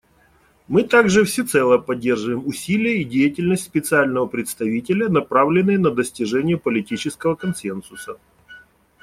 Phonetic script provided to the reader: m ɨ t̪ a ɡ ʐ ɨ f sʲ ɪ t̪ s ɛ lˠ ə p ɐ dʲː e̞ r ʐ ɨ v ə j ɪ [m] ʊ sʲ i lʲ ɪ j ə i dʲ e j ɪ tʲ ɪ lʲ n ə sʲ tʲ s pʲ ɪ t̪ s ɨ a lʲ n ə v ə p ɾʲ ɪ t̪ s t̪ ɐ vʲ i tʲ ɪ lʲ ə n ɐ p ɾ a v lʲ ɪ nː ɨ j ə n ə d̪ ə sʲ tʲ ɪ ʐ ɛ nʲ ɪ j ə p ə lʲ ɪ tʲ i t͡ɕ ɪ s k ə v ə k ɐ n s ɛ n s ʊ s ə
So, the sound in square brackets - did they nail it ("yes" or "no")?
yes